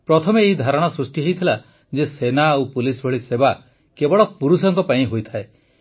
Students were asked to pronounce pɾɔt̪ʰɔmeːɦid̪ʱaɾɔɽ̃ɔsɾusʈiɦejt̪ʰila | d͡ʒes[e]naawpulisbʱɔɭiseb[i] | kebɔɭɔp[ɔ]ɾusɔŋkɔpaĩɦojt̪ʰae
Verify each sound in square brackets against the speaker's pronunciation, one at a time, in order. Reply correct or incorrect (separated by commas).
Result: correct, incorrect, incorrect